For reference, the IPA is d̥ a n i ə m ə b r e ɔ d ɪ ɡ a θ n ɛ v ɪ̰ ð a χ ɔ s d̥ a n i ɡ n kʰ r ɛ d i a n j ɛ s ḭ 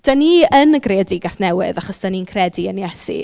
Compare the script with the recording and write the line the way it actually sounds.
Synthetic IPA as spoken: d̥ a n i ə n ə ɡ r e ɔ d ɪ ɡ a θ n ɛ w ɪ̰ ð a χ ɔ s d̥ a n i n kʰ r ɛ d i ə n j ɛ s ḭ